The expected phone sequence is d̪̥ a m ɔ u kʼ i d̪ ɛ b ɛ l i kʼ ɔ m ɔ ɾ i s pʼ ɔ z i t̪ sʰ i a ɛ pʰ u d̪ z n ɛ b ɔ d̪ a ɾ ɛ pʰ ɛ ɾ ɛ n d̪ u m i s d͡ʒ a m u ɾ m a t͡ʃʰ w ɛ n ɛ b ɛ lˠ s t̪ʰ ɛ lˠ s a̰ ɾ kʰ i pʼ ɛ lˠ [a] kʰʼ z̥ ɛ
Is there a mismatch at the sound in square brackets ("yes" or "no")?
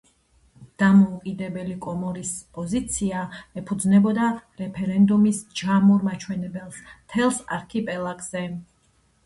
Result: no